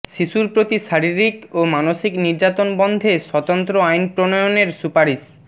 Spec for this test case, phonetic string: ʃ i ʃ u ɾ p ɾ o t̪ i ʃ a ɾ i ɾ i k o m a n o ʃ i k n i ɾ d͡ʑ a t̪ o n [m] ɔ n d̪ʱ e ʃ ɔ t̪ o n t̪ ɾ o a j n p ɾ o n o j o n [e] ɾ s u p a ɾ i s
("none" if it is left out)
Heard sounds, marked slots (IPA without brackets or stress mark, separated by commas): b, e